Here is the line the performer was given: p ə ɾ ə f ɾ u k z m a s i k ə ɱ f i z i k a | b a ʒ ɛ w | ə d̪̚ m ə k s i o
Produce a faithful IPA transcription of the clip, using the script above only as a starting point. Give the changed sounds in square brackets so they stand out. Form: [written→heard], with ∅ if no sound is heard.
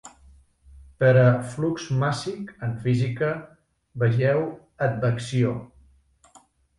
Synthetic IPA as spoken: p ə ɾ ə f [ɾ→l] u k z m a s i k ə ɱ f i z i k [a→ə] | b [a→ə] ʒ ɛ w | ə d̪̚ [m→b] ə k s i o